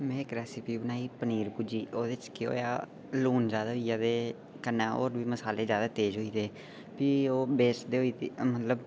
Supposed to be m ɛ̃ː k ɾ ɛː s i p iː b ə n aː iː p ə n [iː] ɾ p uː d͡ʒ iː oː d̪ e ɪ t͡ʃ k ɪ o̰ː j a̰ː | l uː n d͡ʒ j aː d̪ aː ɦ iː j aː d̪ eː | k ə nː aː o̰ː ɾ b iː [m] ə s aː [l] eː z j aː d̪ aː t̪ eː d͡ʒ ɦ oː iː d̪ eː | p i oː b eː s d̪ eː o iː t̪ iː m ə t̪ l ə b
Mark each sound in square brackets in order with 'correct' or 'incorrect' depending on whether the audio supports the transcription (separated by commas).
correct, correct, correct